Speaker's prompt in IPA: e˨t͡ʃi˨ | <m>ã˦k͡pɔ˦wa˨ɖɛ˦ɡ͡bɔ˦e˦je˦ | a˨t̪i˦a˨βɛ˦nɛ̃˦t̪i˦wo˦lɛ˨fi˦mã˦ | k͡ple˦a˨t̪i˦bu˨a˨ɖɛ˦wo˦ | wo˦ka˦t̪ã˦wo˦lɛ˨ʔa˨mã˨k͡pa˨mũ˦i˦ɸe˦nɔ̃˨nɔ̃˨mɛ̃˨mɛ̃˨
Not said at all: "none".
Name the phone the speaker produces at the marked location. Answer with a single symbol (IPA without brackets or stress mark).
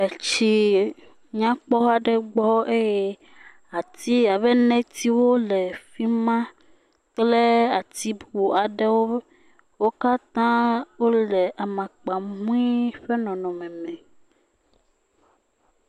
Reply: ɲ